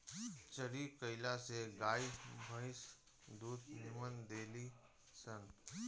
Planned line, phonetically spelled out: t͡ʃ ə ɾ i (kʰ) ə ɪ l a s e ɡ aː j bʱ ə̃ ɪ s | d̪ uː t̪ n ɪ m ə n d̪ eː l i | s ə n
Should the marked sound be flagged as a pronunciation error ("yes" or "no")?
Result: yes